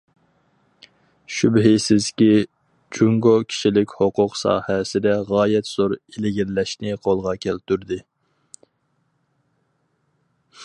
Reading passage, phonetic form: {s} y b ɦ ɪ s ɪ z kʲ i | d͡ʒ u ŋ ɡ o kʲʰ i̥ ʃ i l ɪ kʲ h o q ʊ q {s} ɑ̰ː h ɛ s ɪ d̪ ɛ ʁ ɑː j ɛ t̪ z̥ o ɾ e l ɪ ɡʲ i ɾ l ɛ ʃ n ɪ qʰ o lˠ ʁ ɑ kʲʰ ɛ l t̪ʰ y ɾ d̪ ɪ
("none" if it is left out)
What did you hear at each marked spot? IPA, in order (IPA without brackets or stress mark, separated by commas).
ʃ, s